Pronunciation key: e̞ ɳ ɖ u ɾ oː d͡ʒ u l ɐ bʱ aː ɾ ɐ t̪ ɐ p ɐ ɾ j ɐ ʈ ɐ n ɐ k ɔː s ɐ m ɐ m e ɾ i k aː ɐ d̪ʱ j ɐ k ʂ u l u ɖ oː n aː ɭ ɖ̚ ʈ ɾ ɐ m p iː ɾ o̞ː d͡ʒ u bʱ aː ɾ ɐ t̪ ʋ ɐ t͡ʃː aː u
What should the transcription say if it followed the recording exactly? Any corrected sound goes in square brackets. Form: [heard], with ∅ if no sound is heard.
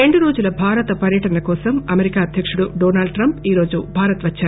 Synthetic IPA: e̞ ɳ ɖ u ɾ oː d͡ʒ u l ɐ bʱ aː ɾ ɐ t̪ ɐ p ɐ ɾ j ɐ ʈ ɐ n ɐ k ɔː s ɐ m ɐ m e ɾ i k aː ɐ d̪ʱ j ɐ k ʂ u [ɽ] u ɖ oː n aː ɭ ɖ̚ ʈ ɾ ɐ m p iː ɾ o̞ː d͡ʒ u bʱ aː ɾ ɐ t̪ ʋ ɐ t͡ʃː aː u